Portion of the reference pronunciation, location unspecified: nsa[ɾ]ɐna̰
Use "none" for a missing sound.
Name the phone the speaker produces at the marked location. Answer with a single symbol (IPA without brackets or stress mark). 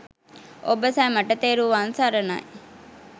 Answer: ɾ